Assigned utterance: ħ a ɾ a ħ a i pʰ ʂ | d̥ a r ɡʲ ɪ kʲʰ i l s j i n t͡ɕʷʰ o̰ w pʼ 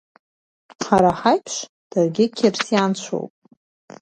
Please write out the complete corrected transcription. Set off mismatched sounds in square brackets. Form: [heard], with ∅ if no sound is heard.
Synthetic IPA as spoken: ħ a ɾ a ħ a [j] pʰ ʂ | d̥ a r ɡʲ ɪ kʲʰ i [r] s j [a] n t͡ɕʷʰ o̰ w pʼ